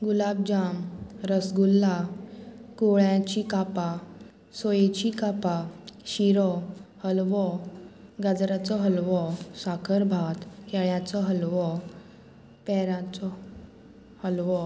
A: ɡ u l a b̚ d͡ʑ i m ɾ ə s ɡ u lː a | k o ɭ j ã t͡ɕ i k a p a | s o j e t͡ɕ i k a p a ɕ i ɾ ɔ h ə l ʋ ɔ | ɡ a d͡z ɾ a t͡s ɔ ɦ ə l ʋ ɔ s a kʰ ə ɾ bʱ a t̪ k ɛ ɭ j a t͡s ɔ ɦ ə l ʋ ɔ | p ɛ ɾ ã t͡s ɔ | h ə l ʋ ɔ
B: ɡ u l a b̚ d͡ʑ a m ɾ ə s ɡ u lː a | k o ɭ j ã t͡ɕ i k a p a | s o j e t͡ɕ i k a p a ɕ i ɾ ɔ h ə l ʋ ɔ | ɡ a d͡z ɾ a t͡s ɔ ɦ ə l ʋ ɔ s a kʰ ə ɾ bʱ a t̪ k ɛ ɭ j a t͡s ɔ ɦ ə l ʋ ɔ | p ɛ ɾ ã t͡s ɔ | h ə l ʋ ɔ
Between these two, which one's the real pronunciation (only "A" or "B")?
B